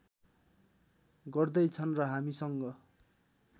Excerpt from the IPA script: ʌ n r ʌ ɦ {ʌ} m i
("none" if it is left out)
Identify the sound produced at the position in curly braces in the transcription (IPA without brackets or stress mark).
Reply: a